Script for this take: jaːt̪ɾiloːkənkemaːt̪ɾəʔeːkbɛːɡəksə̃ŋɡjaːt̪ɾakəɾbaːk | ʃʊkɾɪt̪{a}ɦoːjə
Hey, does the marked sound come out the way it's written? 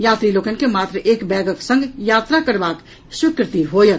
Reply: no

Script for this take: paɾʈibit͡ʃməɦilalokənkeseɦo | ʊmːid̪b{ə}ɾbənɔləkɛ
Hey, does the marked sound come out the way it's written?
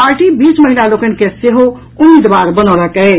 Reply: no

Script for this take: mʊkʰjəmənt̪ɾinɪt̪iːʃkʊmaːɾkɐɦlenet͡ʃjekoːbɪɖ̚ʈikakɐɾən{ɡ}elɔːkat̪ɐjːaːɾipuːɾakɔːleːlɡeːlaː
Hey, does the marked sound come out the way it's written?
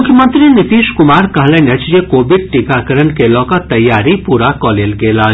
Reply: no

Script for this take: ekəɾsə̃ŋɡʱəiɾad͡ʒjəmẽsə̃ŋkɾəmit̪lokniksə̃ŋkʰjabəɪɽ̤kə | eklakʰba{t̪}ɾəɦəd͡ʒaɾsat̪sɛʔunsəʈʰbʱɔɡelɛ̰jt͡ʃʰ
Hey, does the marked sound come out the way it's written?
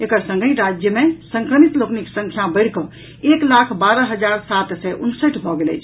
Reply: no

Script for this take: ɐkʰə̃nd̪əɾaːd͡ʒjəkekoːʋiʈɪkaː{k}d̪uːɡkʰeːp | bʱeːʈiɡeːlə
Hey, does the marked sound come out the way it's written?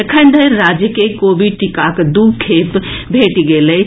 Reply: yes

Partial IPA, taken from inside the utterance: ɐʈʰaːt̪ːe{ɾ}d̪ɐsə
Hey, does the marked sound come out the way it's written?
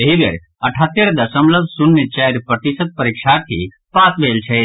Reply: yes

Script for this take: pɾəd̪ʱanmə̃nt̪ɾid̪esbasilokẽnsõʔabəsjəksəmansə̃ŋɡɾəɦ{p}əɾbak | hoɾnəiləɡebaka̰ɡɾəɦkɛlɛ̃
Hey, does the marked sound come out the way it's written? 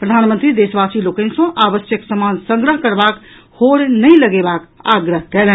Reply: no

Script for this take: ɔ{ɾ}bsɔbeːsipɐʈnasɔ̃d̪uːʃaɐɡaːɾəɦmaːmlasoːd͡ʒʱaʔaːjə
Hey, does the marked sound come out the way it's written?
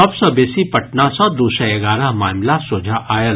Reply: no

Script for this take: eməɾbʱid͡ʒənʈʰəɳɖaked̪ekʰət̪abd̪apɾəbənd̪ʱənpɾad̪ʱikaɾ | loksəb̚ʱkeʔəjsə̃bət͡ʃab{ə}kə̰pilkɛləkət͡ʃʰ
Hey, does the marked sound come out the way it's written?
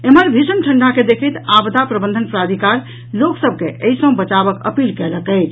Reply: yes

